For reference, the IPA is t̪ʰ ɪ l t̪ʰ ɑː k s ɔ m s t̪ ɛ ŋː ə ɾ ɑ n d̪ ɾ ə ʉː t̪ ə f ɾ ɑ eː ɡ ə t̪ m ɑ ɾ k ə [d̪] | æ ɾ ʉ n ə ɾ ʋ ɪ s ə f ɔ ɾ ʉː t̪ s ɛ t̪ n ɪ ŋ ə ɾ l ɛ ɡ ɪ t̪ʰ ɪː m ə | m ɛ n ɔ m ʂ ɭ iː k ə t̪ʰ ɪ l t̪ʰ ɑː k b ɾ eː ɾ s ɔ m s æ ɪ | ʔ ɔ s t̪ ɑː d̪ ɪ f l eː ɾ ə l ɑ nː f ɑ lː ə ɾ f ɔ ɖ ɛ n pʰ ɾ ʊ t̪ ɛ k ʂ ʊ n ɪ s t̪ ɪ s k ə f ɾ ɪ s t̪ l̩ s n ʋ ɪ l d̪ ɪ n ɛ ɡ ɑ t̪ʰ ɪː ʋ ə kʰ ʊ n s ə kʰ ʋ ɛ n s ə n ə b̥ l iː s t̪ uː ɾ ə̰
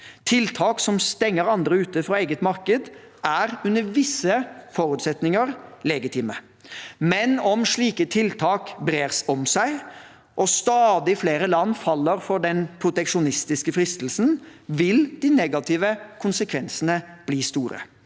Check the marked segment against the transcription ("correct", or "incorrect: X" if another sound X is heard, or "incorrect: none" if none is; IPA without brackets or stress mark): correct